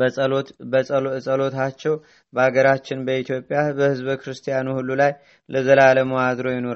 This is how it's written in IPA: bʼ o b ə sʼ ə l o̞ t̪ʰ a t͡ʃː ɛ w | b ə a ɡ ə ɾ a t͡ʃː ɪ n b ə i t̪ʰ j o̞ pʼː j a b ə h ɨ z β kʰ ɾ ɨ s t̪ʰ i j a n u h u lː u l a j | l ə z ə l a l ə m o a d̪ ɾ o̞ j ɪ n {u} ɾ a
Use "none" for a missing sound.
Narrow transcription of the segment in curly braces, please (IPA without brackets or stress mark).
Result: o